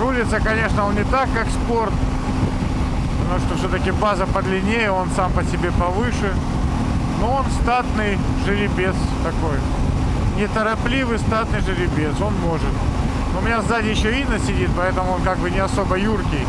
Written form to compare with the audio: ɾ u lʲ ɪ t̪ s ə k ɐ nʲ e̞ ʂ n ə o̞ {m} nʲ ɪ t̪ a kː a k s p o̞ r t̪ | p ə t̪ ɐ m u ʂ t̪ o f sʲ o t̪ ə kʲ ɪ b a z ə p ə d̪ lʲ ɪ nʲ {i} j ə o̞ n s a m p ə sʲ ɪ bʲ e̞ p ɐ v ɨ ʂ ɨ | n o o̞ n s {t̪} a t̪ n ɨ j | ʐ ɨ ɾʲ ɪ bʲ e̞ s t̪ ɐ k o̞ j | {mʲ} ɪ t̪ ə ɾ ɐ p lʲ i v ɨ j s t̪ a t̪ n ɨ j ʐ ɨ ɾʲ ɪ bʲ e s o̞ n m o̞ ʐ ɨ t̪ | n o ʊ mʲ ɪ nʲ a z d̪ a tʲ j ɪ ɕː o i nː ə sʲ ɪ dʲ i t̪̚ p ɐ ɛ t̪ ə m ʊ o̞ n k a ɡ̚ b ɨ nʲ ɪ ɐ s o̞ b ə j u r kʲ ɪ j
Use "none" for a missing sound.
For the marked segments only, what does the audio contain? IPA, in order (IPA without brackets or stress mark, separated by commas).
n, e, t̪, nʲ